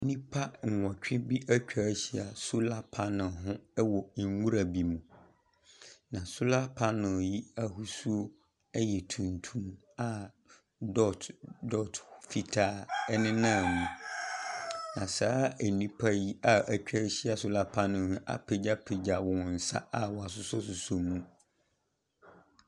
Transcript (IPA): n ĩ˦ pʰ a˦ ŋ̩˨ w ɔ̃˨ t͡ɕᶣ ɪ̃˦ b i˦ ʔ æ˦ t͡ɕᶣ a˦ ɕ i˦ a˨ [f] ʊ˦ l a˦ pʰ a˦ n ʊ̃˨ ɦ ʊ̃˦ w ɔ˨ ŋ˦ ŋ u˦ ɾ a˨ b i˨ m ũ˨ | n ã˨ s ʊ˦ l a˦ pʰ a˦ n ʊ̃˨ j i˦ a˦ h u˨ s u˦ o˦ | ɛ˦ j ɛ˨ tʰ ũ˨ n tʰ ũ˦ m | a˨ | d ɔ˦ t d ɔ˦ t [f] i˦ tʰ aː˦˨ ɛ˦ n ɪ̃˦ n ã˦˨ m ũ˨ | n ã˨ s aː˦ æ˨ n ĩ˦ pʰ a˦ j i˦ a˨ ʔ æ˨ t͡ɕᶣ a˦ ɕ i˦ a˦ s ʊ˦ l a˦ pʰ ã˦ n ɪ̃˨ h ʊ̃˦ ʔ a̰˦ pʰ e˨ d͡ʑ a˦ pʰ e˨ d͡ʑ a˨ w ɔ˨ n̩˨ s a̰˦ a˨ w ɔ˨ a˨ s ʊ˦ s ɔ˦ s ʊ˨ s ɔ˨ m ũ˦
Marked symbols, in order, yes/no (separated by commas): no, yes